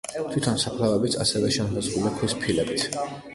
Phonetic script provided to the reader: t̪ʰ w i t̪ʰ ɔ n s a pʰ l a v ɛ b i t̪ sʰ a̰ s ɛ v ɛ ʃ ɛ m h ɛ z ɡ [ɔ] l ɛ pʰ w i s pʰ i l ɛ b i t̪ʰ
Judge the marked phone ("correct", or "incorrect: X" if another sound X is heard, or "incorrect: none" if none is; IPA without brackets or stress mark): incorrect: u